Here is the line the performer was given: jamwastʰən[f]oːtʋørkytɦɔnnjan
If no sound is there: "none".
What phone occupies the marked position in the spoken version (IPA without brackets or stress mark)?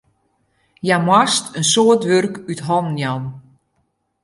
s